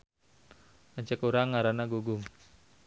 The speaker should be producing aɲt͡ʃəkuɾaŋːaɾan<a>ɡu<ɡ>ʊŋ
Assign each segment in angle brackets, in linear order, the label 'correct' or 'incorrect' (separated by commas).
correct, correct